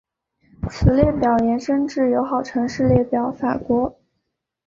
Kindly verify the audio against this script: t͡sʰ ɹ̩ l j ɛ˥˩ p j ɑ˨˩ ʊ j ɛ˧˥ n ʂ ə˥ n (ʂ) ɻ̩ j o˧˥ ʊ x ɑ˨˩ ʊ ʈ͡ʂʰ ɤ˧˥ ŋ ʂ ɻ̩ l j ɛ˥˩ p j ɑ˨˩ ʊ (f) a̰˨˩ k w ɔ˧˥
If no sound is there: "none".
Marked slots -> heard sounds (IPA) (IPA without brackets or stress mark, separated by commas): ʈ͡ʂ, f